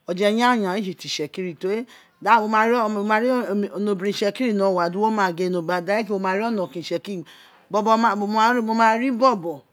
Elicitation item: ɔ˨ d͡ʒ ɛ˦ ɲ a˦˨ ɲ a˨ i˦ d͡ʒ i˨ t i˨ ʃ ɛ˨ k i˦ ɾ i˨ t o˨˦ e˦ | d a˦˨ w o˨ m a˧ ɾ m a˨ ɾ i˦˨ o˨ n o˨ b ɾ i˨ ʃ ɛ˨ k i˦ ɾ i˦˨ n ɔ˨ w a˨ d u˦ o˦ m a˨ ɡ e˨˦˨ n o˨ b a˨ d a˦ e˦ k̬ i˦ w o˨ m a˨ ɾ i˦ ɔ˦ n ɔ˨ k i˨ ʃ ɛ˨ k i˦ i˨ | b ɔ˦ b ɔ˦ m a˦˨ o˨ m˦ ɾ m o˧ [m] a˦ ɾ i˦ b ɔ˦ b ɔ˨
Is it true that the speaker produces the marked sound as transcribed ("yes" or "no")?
yes